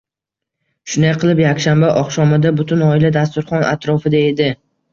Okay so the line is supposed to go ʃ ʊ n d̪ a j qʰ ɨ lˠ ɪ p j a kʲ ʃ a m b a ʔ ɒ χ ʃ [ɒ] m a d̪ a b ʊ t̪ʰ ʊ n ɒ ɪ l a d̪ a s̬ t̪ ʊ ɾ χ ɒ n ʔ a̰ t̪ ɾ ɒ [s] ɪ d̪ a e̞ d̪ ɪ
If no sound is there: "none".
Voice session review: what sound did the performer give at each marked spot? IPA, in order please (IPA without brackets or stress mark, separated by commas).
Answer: ɒ, f